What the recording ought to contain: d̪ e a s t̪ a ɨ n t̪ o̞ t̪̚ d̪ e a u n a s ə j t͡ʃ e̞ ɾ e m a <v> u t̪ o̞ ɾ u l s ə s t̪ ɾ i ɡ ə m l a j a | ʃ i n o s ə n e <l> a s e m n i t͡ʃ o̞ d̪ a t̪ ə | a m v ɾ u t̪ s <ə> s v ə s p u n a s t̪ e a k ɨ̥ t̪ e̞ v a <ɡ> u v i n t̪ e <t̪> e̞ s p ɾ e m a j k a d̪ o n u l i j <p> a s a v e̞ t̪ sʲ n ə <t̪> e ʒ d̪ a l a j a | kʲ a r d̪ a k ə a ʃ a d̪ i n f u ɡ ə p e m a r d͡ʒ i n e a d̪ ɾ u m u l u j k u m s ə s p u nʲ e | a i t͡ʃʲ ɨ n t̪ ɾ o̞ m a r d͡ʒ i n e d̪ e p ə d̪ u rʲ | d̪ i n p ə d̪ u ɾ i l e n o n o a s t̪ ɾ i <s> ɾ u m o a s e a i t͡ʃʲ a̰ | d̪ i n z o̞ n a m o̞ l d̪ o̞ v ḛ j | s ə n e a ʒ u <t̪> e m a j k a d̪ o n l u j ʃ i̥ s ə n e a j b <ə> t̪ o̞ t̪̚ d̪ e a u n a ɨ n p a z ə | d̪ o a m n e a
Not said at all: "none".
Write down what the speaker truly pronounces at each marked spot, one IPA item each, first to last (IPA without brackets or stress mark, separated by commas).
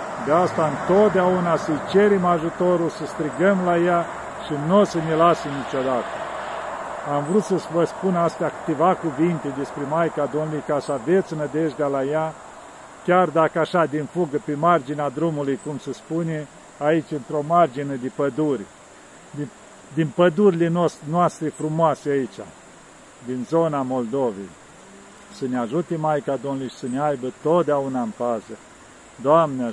ʒ, l, ə, k, d̪, k, d̪, f, t̪, ə